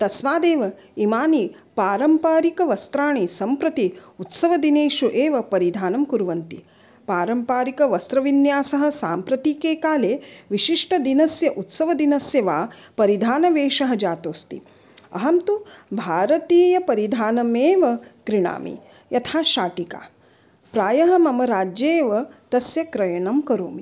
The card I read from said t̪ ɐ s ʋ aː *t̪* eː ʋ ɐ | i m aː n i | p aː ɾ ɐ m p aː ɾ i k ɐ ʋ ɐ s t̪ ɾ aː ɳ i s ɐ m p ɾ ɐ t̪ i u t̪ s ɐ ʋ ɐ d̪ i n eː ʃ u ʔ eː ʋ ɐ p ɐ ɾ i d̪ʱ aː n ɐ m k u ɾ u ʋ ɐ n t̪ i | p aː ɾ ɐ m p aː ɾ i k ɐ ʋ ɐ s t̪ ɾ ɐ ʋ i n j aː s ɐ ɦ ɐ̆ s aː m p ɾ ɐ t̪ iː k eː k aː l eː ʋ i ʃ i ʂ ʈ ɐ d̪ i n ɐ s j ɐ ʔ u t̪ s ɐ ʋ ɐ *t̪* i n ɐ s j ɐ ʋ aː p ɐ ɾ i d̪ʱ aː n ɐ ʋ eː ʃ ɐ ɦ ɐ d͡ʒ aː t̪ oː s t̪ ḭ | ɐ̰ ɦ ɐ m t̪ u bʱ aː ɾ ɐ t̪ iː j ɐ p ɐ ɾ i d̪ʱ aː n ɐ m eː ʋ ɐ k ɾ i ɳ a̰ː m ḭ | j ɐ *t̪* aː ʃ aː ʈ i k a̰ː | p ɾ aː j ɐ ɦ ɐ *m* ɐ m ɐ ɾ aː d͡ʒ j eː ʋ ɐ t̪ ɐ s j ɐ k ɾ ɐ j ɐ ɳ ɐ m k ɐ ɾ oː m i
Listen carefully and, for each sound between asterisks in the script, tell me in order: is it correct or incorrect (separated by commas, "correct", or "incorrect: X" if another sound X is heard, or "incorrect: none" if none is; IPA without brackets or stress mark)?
incorrect: d̪, incorrect: d̪, incorrect: t̪ʰ, correct